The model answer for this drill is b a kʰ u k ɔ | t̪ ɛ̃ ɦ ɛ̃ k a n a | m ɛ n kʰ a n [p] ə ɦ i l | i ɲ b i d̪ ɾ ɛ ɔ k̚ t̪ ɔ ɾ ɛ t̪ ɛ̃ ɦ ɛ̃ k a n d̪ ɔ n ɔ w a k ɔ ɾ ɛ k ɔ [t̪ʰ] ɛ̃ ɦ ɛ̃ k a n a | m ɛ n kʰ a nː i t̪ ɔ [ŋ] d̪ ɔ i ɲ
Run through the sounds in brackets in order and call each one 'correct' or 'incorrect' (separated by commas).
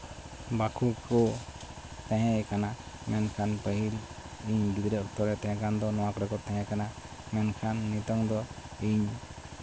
correct, incorrect, correct